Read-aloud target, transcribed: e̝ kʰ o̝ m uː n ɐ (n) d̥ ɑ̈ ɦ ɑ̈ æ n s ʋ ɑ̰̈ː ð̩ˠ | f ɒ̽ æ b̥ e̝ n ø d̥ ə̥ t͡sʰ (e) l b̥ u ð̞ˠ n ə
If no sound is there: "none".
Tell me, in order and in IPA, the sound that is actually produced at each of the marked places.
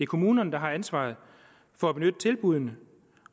n, e

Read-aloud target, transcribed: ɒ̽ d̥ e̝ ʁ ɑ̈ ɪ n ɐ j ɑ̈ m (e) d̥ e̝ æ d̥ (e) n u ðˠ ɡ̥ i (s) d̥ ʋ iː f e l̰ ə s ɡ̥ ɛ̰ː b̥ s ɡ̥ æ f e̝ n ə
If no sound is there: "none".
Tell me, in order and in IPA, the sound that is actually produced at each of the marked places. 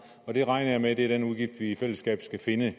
e, e, f

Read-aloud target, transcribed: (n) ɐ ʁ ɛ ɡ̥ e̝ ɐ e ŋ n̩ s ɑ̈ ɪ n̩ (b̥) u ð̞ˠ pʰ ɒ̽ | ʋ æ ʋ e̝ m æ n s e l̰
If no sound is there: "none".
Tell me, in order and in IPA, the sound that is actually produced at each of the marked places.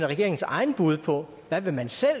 n, b̥

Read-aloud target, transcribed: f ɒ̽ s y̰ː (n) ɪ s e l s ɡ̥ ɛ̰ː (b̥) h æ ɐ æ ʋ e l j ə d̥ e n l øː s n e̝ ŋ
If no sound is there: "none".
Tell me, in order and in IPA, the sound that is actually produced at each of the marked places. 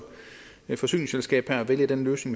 n, b̥

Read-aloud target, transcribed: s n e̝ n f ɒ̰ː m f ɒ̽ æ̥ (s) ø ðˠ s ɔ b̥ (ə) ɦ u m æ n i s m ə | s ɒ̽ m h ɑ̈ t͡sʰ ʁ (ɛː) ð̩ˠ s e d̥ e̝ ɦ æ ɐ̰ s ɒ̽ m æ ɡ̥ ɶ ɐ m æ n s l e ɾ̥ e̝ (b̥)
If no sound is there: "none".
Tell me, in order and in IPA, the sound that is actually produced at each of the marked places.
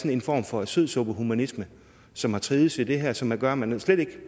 s, ə, iː, ɡ̥

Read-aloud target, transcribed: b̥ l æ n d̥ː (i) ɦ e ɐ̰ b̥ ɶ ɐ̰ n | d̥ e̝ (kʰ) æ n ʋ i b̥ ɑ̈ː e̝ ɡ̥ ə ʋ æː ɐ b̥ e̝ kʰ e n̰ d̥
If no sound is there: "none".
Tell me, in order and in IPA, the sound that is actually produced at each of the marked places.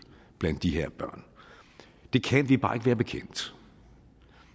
i, kʰ

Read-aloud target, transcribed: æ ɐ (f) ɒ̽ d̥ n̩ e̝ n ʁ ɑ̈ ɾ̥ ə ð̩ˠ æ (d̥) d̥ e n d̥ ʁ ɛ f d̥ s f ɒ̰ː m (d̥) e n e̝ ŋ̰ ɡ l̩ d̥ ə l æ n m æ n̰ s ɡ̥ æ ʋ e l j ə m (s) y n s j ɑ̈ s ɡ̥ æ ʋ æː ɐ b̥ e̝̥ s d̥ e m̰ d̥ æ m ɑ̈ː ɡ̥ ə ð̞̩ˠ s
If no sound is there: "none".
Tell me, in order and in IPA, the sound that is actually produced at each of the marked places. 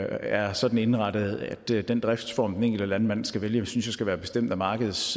s, d̥, d̥, s

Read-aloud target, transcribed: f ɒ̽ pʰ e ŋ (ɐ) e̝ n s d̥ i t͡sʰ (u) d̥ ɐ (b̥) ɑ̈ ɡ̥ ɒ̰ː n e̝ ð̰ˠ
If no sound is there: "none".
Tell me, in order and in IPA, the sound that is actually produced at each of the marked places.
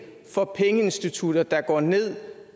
ə, u, d̥

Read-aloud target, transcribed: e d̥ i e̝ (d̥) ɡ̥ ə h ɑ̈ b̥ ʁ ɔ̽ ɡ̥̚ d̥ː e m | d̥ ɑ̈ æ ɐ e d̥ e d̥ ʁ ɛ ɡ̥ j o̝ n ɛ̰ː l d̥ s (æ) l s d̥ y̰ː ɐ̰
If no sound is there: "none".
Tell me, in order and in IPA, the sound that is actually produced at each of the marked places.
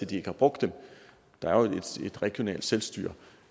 none, e

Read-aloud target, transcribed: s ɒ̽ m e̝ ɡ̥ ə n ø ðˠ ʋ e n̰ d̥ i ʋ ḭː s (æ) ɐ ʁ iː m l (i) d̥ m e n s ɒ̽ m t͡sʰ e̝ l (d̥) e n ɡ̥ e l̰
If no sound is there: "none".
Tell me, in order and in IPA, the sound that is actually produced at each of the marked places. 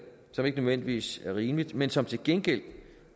æ, i, ɡ̥

